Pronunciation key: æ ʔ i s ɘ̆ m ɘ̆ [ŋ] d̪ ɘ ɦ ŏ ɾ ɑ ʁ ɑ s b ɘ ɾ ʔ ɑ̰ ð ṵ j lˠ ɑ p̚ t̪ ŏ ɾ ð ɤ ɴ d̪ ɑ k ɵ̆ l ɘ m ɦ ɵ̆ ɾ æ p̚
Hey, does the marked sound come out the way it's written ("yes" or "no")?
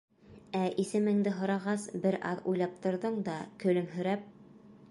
yes